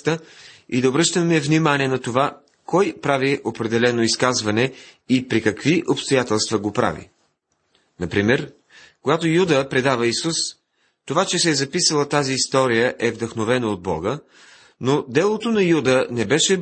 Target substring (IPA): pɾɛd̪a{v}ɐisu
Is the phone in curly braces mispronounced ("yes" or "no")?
no